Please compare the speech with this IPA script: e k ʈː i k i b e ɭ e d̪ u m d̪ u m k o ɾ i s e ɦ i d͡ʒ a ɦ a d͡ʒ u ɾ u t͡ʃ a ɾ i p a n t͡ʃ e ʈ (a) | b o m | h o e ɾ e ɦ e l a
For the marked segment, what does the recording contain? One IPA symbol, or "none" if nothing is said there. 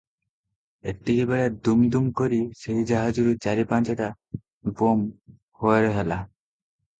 a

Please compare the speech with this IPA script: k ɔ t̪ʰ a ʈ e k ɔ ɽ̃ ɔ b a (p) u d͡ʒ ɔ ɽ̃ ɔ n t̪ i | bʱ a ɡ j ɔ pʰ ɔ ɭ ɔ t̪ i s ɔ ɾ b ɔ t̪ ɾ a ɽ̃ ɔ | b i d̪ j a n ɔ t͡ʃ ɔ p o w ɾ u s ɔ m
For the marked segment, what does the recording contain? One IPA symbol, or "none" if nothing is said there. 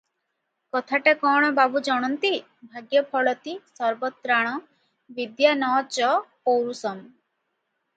b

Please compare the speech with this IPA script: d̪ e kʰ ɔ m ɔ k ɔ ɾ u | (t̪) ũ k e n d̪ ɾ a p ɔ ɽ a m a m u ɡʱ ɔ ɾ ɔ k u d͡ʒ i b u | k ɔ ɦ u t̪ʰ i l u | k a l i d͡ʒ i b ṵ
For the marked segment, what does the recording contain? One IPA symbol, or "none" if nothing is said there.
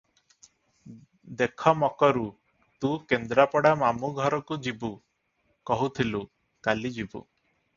t̪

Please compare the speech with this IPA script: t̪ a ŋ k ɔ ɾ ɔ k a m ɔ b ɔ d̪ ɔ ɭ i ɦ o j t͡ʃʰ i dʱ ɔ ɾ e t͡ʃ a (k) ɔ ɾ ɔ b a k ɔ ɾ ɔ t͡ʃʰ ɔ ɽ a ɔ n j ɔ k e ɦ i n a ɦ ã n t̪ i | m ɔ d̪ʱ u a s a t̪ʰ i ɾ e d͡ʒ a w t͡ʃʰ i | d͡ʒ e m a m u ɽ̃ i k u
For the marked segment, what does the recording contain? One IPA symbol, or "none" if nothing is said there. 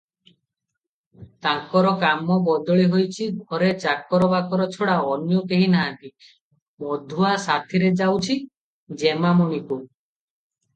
k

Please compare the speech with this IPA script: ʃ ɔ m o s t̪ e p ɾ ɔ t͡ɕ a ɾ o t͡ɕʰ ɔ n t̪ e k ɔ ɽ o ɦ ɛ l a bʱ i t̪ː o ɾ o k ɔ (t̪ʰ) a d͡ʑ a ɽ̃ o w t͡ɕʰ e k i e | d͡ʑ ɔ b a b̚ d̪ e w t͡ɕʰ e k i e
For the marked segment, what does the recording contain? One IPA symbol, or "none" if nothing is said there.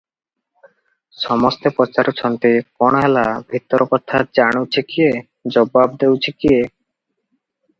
t̪ʰ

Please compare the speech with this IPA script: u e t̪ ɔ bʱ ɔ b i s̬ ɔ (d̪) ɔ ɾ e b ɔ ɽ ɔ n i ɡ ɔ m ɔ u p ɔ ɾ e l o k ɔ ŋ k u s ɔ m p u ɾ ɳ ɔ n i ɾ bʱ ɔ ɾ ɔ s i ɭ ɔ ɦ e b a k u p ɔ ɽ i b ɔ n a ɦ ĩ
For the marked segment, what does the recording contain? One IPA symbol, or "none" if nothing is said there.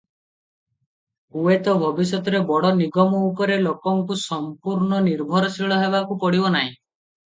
t̪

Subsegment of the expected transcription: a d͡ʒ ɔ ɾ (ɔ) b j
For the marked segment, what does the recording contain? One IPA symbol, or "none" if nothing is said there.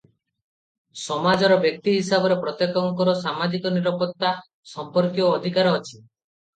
ɔ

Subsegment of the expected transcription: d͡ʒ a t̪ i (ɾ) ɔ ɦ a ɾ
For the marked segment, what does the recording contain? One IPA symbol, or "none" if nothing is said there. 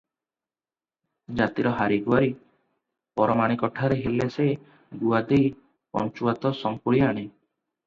ɾ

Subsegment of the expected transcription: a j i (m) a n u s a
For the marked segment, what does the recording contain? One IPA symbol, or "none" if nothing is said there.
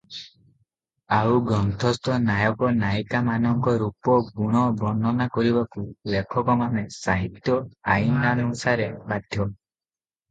n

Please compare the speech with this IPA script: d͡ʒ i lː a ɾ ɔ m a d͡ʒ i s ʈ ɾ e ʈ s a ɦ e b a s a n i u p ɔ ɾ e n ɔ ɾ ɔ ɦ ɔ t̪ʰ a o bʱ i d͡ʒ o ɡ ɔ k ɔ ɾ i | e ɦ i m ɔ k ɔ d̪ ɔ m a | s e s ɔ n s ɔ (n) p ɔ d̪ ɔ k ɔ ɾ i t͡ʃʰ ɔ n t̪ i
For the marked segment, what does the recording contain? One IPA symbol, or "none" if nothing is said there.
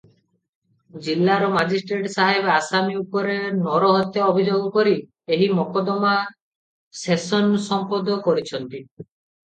m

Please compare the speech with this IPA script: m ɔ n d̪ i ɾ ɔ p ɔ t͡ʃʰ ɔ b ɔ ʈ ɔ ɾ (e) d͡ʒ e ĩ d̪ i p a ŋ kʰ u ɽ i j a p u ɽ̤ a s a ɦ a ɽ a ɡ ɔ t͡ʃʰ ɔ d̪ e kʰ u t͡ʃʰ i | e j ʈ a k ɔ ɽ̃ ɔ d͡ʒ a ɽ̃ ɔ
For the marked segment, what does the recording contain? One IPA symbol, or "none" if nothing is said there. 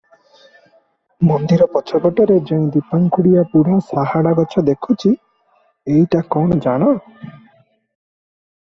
e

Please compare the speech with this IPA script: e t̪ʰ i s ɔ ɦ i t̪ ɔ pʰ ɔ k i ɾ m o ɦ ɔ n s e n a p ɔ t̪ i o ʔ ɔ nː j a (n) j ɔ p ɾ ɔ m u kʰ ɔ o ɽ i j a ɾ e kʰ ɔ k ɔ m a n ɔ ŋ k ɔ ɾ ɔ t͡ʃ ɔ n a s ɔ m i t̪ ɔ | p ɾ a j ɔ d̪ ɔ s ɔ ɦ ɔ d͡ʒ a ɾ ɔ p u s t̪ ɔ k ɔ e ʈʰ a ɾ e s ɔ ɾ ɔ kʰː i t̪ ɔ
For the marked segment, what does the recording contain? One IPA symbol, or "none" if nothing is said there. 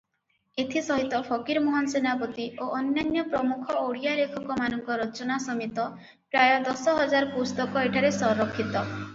n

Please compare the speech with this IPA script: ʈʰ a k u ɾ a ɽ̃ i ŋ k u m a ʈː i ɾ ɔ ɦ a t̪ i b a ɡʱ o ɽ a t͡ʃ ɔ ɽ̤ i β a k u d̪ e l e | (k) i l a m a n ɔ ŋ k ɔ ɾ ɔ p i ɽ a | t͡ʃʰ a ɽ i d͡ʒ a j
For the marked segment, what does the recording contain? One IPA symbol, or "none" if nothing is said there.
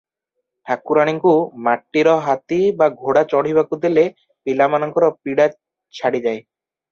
p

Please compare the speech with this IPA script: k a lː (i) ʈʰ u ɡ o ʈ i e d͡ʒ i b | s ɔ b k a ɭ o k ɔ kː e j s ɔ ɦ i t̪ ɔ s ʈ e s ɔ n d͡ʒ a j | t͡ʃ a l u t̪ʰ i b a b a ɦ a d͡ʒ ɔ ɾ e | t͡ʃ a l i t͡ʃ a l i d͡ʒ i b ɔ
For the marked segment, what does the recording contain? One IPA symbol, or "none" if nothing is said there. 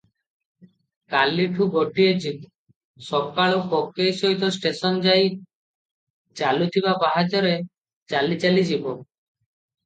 i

